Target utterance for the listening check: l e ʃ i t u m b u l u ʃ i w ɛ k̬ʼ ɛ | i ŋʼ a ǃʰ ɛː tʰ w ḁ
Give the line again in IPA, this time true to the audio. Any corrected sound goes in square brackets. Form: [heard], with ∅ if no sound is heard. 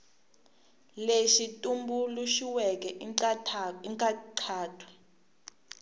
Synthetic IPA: l e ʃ i [tʼ] u m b u l u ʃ i w ɛ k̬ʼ ɛ | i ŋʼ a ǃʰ [aː] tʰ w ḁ